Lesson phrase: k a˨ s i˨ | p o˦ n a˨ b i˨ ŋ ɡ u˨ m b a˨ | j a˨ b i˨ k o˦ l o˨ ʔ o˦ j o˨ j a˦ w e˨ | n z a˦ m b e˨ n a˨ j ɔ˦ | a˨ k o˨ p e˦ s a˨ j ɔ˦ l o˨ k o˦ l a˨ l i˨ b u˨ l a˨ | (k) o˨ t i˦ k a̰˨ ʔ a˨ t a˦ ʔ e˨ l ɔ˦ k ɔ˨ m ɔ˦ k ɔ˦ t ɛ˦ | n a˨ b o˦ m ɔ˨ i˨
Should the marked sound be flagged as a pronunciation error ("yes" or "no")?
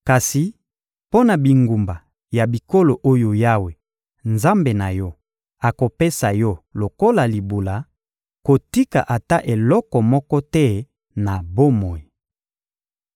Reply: no